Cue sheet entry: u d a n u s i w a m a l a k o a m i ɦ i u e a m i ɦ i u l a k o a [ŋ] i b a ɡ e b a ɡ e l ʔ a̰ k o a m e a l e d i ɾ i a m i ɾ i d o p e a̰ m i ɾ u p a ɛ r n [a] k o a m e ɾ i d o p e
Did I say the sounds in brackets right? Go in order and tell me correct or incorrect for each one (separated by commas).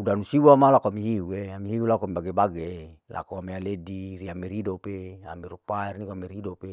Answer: incorrect, incorrect